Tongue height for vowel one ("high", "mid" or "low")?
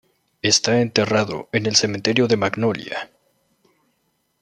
mid